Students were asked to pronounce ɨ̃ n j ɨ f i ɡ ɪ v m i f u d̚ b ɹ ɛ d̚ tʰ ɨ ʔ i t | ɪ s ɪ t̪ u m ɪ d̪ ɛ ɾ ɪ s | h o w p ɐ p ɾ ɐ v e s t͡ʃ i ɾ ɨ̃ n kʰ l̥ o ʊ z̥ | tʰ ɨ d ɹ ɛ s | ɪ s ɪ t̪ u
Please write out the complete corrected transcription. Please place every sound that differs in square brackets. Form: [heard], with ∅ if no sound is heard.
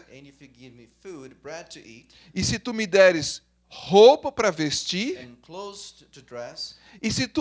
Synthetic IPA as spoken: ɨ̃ n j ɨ f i ɡ ɪ v m i f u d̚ b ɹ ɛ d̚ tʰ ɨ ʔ i t | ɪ s ɪ t̪ u m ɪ d̪ ɛ ɾ ɪ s | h o w p ɐ p ɾ ɐ v e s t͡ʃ i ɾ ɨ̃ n kʰ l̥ o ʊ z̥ | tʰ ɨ d ɹ ɛ s | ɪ s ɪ t̪ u